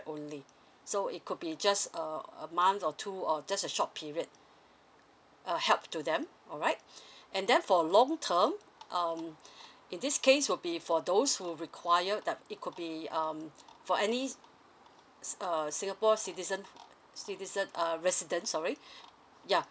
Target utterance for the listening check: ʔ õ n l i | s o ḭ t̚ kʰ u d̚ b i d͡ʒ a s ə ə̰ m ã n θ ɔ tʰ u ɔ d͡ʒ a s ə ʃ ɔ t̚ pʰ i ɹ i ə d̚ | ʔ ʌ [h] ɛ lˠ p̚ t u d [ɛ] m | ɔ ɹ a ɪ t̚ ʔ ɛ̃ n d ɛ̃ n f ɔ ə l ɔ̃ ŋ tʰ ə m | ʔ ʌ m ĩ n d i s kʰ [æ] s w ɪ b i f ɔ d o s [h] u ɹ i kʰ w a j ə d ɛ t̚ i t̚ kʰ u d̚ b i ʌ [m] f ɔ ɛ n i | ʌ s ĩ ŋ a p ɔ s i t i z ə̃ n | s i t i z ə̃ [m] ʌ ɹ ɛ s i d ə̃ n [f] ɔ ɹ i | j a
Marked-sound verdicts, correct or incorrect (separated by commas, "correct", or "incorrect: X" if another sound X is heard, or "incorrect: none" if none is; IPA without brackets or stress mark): correct, incorrect: ɛ̃, incorrect: e, correct, correct, incorrect: n, incorrect: s